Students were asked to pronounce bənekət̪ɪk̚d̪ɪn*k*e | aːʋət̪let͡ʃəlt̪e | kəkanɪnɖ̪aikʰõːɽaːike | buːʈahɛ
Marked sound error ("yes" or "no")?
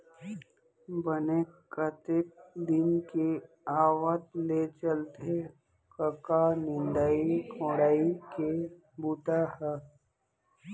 no